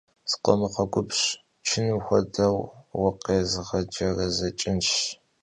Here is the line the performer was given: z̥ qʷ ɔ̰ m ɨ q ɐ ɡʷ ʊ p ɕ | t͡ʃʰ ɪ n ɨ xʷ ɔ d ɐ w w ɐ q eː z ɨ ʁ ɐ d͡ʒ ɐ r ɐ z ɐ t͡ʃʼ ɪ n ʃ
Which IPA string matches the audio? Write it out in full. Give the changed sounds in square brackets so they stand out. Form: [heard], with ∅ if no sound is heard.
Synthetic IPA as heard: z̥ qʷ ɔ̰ m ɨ q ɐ ɡʷ ʊ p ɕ | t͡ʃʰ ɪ n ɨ xʷ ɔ d ɐ w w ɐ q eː z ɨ ʁ ɐ d͡ʒ ɐ r ɐ z ɐ t͡ʃʼ ɪ n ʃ